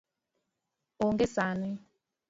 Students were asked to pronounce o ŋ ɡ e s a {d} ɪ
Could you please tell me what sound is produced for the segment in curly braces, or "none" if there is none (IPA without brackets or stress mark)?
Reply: n